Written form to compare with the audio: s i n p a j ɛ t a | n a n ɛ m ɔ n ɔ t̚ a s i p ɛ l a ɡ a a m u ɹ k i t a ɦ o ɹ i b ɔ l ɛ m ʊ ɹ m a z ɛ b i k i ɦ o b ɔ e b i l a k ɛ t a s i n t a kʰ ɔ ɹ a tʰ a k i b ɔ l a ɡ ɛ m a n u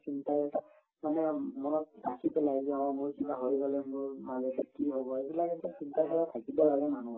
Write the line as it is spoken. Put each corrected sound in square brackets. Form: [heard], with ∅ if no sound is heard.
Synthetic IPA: s i n [t] a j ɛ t a | [m] a n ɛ m ɔ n ɔ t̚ a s i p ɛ l a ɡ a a m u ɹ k i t a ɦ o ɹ i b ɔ l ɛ m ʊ ɹ m a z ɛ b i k i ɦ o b ɔ e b i l a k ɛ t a s i n t a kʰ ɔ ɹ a tʰ a k i b ɔ l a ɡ ɛ m a n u

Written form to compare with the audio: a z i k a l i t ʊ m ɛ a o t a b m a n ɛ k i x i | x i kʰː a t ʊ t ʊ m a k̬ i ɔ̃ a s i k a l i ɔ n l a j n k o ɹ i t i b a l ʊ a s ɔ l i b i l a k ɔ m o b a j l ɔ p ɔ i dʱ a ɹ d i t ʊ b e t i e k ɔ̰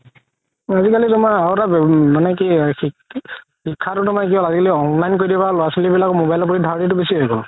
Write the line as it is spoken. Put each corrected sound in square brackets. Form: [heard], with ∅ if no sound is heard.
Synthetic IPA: a z i k a l i t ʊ m [a] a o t a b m a n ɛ k i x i | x i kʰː a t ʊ t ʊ m a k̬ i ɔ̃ a [z] i k a l i ɔ n l a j n k o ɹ i [d] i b a l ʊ a s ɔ l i b i l a k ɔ m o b a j l ɔ p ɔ i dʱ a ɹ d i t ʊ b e [s] i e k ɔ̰

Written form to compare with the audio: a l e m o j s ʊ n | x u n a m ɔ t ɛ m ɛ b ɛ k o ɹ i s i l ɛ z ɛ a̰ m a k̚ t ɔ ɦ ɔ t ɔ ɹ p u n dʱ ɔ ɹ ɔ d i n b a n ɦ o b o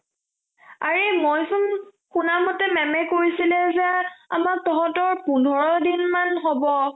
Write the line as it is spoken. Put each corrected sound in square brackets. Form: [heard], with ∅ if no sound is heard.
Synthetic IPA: a [ɹ] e m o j s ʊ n | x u n a m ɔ t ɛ m ɛ [m] ɛ k o ɹ i s i l ɛ z ɛ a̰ m a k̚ t ɔ ɦ ɔ t ɔ ɹ p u n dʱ ɔ ɹ ɔ d i n [m] a n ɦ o b [ɔ]

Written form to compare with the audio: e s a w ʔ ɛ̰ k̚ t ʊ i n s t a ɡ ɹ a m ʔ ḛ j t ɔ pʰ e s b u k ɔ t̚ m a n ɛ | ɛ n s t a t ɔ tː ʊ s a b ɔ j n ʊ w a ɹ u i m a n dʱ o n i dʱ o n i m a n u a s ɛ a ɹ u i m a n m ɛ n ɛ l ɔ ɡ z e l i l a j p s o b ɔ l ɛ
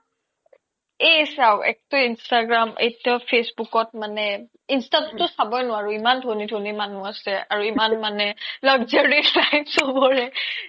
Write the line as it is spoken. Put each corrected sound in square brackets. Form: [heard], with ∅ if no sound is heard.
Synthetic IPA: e s a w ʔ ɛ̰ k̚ t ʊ i n s t a ɡ ɹ a m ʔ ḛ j t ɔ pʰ e s b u k ɔ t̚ m a n ɛ | [i] n s t a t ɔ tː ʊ s a b ɔ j n ʊ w a ɹ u i m a n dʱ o n i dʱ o n i m a n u a s ɛ a ɹ u i m a n m [a] n ɛ l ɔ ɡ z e [ɹ] i l a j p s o b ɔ [ɹ] ɛ

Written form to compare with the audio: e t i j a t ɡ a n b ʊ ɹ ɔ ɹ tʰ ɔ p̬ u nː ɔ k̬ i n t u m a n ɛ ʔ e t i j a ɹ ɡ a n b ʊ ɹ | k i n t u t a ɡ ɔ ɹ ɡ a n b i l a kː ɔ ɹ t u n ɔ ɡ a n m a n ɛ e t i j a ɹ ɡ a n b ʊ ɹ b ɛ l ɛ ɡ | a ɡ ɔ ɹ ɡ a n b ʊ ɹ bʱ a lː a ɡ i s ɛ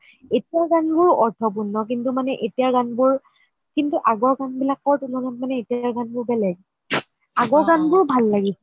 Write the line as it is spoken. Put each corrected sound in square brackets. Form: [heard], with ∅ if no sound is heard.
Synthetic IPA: e t i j a [∅] ɡ a n b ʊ ɹ ɔ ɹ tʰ ɔ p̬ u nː ɔ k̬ i n t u m a n ɛ ʔ e t i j a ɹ ɡ a n b ʊ ɹ | k i n t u [ʔ] a ɡ ɔ ɹ ɡ a n b i l a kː ɔ ɹ t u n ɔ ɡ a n m a n ɛ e t i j a ɹ ɡ a n b ʊ ɹ b ɛ l ɛ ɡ | a ɡ ɔ ɹ ɡ a n b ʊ ɹ bʱ a lː a ɡ i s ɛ

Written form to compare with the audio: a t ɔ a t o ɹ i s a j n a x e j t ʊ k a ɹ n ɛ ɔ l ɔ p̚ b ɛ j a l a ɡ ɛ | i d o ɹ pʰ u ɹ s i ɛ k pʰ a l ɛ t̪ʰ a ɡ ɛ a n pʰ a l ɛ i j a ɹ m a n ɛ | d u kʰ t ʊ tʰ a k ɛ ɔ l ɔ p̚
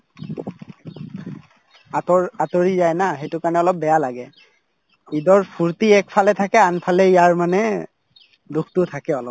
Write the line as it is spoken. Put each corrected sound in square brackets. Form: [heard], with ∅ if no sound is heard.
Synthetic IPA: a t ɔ a t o ɹ i [z] a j n a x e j t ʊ k a ɹ n ɛ ɔ l ɔ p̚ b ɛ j a l a ɡ ɛ | i d [ɔ] ɹ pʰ u ɹ [t] i ɛ k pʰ a l ɛ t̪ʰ a [k] ɛ a n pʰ a l ɛ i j a ɹ m a n ɛ | d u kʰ t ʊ tʰ a k ɛ ɔ l ɔ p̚

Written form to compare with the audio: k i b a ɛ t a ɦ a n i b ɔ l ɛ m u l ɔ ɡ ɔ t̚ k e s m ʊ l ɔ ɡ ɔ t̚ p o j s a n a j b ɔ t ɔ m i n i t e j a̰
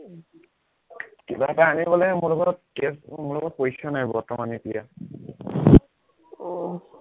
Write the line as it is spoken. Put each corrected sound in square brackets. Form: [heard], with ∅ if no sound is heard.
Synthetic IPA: k i b a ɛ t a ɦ a n i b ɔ l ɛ m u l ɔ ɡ ɔ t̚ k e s m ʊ l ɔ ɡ ɔ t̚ p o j s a n a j b ɔ t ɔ m [a] n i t [i] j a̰

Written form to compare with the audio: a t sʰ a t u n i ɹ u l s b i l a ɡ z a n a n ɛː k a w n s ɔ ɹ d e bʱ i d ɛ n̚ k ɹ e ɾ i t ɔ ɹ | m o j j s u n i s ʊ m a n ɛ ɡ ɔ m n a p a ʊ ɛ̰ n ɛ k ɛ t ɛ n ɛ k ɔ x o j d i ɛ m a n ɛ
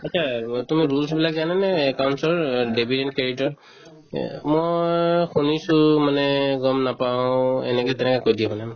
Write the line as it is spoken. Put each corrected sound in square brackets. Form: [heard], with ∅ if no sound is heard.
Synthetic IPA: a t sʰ a t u [m] i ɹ u l s b i l a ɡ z a n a n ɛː k a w n s ɔ ɹ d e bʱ i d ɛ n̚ k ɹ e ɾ i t ɔ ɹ | m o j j [x] u n i s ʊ m a n ɛ ɡ ɔ m n a p a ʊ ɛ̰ n ɛ k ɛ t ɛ n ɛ k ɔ [k] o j d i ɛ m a n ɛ

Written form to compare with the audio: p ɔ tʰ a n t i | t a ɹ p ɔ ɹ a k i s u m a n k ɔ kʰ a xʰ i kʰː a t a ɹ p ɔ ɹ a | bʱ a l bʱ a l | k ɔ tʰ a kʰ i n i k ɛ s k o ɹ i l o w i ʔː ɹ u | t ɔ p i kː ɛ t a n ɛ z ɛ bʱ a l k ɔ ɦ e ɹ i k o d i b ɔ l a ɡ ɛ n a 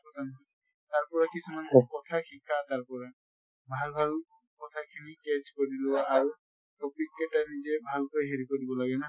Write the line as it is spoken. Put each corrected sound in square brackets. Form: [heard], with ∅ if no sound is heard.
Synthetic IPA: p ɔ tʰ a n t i | t a ɹ p ɔ ɹ a k i s u m a n k ɔ [tʰ] a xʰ i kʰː a t a ɹ p ɔ ɹ a | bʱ a l bʱ a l | k ɔ tʰ a kʰ i n i k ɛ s k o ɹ i l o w [a] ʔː ɹ u | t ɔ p i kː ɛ t a n [i] z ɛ bʱ a l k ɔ ɦ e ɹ i k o d i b ɔ l a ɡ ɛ n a

